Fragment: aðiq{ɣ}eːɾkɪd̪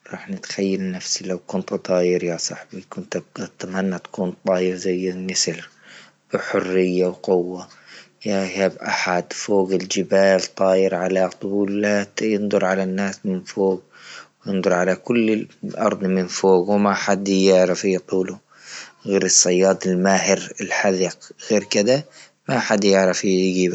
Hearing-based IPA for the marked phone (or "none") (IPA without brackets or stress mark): ɣ